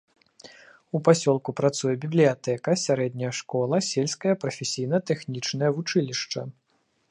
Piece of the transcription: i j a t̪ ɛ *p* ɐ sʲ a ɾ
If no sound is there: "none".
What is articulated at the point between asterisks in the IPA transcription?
k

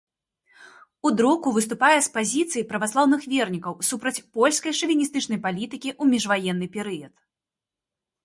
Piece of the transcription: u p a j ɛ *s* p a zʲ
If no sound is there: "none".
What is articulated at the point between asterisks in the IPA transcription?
s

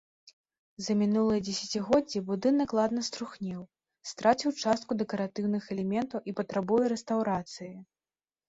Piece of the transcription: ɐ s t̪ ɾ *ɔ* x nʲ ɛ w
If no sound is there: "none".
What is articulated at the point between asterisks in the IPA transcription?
u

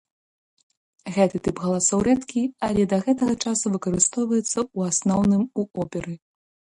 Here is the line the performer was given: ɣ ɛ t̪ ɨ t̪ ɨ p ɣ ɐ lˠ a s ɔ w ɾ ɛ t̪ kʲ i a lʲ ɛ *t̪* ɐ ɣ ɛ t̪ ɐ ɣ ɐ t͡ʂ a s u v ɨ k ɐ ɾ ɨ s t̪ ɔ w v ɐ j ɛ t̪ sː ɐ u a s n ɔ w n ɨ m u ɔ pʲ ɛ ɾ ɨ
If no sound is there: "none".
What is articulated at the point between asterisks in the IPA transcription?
d̪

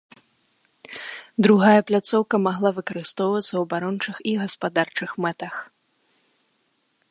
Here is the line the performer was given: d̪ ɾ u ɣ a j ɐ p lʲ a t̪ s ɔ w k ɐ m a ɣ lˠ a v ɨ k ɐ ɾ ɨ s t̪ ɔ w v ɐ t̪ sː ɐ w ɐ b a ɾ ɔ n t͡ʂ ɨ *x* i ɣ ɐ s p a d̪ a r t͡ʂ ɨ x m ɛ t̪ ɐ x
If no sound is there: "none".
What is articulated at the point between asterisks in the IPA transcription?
x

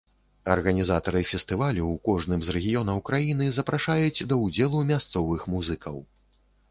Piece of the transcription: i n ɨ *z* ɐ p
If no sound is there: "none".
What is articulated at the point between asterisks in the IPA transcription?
z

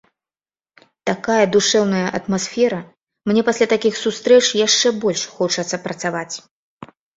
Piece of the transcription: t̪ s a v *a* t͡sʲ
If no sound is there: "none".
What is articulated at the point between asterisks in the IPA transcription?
a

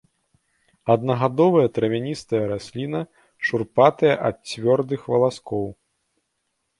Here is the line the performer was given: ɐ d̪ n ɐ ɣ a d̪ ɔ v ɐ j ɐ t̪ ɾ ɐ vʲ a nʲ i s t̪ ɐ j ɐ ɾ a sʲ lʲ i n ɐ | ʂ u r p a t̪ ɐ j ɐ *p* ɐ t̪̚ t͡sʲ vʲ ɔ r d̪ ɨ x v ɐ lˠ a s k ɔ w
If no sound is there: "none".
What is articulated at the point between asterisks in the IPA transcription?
ʔ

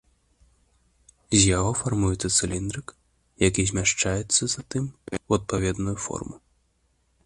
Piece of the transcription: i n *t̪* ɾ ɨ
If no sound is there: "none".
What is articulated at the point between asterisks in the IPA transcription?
d̪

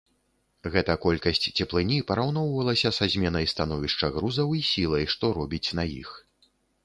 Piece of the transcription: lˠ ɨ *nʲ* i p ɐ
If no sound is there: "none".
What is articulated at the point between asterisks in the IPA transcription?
nʲ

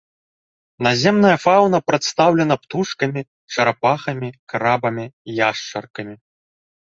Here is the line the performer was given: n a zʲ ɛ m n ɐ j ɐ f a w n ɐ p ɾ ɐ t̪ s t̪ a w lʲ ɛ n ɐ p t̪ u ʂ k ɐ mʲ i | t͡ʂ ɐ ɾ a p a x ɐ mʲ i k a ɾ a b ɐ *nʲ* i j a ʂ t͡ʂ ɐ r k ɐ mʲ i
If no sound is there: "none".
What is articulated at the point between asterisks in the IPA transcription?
mʲ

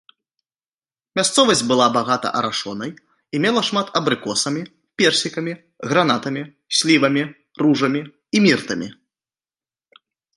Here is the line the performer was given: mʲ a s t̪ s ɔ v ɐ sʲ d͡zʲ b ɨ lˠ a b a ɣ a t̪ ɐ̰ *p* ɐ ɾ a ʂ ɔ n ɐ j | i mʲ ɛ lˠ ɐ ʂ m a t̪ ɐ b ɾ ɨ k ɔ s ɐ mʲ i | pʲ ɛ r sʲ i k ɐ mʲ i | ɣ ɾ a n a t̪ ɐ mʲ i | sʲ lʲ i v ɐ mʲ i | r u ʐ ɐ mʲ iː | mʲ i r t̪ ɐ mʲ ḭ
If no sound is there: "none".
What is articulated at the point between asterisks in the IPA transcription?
ʔ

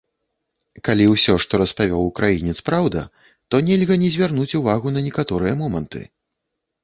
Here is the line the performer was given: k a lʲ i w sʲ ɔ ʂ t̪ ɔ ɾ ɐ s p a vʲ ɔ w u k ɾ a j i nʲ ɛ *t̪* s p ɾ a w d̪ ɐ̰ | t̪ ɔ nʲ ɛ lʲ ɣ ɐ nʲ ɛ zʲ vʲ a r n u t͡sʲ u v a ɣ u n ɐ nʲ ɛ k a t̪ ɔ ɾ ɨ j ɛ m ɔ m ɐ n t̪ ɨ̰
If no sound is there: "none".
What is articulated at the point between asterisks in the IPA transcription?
t̪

